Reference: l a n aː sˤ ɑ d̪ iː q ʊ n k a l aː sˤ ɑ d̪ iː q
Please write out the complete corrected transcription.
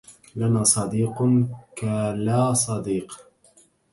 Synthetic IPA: l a n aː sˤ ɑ d̪ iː q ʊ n k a l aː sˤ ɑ d̪ iː q